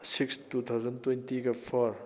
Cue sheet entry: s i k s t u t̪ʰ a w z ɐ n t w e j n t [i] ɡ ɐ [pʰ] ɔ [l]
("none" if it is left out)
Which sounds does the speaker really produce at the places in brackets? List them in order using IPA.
i, pʰ, ɾ

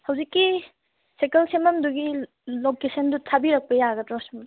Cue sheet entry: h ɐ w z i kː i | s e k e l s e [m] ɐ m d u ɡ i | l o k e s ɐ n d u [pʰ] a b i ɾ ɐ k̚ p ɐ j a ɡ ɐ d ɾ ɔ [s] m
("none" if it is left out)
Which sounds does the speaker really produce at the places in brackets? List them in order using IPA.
m, tʰ, s

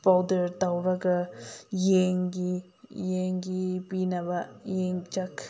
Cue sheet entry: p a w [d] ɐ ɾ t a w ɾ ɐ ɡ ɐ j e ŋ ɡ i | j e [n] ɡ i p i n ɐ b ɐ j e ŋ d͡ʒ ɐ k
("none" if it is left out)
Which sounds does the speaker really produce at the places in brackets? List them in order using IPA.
d, ŋ

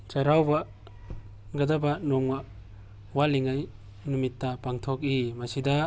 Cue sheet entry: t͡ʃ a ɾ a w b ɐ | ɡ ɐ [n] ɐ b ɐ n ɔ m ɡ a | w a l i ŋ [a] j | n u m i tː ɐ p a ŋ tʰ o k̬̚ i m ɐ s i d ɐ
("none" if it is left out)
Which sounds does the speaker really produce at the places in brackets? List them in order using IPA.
d, a

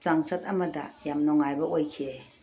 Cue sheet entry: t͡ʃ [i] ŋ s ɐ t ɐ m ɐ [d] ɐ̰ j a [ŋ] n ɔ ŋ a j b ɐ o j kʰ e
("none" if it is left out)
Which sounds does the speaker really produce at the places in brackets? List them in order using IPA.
a, d, m

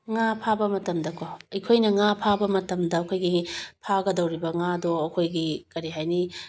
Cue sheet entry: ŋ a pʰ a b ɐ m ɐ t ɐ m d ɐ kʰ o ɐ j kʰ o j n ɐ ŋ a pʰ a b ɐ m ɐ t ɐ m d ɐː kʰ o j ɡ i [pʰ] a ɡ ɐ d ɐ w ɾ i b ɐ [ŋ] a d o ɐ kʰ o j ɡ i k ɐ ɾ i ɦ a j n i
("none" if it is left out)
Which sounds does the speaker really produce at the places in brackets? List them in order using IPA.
pʰ, ŋ

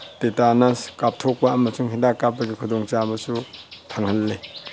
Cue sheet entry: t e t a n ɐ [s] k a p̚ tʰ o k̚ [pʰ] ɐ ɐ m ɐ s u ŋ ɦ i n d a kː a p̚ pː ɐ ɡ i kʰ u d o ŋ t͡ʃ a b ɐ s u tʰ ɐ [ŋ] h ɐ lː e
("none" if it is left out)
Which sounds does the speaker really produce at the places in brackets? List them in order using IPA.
s, p, ŋ

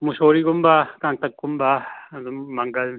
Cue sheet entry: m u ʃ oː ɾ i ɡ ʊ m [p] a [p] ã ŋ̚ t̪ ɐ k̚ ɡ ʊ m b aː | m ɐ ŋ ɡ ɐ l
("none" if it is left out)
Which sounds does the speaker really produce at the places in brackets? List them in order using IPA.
b, k

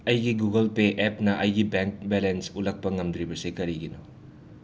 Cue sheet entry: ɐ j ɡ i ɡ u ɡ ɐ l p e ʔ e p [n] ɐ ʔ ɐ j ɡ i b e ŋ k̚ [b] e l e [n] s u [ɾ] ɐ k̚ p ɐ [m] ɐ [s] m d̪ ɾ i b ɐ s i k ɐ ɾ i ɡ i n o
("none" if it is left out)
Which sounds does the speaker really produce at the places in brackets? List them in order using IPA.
n, b, n, l, ŋ, none

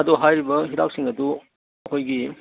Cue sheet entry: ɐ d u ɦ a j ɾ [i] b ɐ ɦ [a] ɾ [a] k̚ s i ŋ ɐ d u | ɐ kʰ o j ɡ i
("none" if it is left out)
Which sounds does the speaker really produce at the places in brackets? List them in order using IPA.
i, i, a

